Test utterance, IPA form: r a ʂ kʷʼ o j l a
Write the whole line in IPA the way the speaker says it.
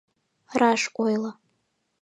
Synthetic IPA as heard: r a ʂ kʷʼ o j l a